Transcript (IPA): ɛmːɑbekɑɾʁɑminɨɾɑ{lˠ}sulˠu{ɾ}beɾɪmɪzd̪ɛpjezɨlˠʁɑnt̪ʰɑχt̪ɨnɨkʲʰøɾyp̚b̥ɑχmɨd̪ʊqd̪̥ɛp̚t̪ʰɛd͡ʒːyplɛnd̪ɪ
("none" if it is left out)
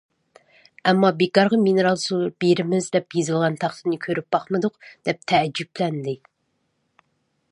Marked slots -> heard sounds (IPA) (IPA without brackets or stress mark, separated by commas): lˠ, ɾ